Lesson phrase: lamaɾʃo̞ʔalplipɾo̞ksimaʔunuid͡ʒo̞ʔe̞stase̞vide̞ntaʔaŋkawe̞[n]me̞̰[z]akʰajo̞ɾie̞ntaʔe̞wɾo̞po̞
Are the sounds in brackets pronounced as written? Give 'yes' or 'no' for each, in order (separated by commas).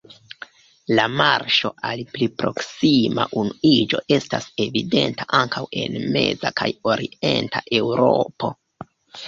yes, yes